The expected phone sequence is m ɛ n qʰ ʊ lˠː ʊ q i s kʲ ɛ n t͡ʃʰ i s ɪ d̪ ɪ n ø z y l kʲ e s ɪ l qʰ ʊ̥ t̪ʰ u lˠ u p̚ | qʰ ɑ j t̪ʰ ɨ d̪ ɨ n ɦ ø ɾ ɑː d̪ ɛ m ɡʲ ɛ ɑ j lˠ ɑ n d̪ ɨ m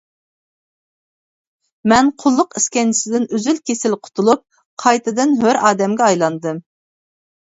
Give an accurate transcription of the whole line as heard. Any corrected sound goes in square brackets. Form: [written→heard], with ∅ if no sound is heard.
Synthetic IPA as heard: m ɛ n qʰ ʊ lˠː ʊ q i s kʲ ɛ n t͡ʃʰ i s ɪ d̪ ɪ n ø z y l kʲ e s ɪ l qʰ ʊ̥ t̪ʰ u lˠ u p̚ | qʰ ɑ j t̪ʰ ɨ d̪ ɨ n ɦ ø ɾ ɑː d̪ ɛ m ɡʲ ɛ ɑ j lˠ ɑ n d̪ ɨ m